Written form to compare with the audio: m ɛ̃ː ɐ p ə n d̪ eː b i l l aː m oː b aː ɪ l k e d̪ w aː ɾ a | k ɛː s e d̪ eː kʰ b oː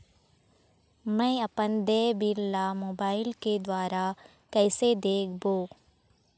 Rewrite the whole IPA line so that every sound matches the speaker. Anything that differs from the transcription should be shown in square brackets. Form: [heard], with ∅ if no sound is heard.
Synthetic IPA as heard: m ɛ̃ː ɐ p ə n d̪ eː b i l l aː m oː b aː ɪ l k e d̪ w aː ɾ a | k ɛː s e d̪ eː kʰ b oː